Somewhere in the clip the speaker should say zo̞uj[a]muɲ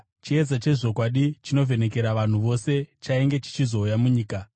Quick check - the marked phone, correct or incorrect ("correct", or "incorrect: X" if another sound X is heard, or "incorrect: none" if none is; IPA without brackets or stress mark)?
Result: correct